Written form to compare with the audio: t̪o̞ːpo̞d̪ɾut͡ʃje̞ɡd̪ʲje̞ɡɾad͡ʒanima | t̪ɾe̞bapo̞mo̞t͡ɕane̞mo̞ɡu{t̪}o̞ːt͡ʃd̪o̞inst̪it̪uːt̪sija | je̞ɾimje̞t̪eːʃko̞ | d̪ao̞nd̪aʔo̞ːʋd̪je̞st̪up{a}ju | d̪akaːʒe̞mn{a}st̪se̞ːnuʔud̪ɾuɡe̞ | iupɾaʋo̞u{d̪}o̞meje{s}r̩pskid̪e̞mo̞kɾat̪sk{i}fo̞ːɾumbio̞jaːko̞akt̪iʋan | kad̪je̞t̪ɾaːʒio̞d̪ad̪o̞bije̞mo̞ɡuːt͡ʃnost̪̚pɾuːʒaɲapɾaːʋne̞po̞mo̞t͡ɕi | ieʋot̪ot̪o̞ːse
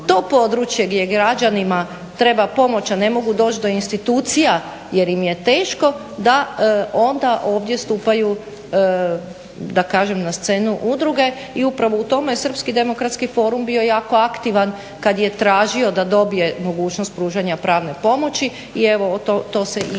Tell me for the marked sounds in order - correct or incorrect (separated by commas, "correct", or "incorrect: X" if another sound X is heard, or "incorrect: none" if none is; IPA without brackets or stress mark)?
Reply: incorrect: d̪, correct, correct, incorrect: t̪, correct, correct